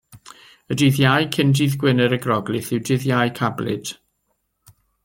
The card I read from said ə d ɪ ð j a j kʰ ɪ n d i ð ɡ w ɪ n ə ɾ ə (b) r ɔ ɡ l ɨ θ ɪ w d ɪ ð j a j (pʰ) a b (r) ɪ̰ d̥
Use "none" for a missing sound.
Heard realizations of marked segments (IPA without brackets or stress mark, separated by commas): ɡ, kʰ, l